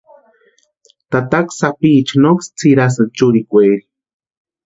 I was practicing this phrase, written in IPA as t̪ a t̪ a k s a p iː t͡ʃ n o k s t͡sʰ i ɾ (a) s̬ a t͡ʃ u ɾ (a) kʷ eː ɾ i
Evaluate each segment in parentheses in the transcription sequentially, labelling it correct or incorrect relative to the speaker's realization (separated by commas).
correct, incorrect